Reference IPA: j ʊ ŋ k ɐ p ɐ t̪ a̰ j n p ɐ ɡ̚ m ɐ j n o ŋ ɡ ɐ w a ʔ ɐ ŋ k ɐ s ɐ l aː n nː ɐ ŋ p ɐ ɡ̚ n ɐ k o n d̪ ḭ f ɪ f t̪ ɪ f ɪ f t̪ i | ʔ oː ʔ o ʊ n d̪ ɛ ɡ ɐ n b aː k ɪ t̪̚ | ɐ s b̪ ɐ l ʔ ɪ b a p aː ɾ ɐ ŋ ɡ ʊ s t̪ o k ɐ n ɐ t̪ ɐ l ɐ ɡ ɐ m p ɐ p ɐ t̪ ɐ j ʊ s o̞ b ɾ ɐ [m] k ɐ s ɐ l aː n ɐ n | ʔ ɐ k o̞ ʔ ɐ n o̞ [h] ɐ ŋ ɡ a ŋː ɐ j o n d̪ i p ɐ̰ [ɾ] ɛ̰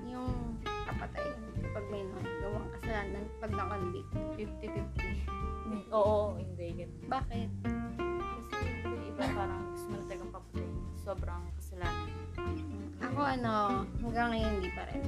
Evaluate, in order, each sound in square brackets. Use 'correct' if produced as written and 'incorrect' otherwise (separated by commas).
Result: incorrect, correct, correct